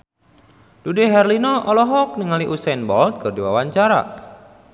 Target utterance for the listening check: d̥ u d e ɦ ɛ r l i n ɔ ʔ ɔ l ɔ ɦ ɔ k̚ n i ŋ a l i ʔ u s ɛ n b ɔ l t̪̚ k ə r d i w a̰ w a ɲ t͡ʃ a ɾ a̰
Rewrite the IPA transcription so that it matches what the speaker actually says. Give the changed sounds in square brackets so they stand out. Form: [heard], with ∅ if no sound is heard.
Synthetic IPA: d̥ u d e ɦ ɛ r l i n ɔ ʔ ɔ l ɔ ɦ ɔ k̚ n i ŋ a l i ʔ u s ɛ n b ɔ l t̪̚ k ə r d i w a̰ w a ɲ t͡ʃ a ɾ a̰